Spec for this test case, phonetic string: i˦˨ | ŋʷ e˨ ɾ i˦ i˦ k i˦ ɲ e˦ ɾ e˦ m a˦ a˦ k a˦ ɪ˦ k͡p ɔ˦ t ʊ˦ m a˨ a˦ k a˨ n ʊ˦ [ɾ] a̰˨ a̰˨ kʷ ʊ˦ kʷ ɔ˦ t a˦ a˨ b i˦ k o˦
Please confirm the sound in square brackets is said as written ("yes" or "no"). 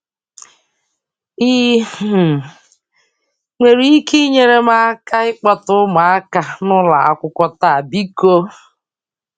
no